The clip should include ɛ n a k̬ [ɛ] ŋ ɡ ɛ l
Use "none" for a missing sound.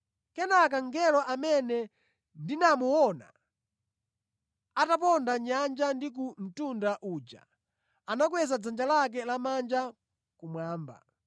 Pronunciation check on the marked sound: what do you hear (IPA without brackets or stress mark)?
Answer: a